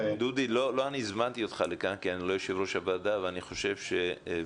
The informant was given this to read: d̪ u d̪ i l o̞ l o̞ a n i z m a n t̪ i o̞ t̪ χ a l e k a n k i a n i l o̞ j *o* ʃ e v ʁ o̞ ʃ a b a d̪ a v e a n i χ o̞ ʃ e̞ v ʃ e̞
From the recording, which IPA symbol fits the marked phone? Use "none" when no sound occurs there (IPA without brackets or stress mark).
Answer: o